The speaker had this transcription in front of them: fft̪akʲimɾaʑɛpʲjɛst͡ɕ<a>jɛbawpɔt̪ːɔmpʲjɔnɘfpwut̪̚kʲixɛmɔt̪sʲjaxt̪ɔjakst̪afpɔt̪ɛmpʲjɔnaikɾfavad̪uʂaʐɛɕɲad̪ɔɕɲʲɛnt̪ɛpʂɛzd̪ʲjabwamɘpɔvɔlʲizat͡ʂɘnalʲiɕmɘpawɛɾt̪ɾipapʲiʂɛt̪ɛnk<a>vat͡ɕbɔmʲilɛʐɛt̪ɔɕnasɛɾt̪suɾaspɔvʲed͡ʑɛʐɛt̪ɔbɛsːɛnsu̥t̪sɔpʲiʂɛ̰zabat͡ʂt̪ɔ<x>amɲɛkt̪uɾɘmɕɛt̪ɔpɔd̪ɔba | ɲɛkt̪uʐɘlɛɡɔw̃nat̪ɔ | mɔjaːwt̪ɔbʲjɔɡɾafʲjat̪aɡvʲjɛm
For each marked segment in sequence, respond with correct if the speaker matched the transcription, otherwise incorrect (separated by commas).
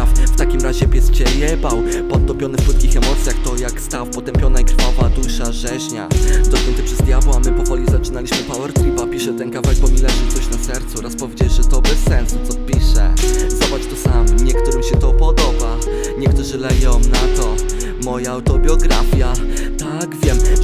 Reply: incorrect, correct, incorrect